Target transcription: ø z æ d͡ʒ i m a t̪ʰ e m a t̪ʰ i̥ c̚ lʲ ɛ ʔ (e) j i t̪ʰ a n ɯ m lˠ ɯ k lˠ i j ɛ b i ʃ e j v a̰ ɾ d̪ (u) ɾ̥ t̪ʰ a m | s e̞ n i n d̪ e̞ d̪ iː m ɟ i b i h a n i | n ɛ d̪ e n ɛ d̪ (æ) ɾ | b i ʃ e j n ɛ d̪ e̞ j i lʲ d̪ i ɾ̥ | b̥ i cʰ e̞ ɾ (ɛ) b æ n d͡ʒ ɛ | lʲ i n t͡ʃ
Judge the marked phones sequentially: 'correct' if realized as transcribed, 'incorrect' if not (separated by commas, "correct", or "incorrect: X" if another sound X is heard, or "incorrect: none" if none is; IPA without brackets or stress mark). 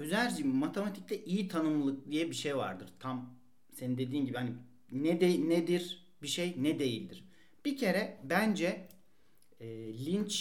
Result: incorrect: i, incorrect: ɯ, incorrect: i, correct